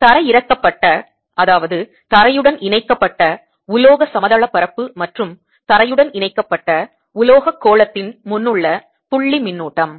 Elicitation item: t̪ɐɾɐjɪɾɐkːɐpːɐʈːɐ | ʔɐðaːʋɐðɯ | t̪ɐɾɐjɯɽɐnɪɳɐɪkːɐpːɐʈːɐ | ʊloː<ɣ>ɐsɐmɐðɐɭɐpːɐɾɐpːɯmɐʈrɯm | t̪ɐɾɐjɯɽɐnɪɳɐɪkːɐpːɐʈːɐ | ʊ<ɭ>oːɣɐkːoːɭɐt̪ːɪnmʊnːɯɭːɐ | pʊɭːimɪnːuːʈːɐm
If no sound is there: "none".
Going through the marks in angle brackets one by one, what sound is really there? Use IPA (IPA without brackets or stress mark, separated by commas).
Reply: ɣ, l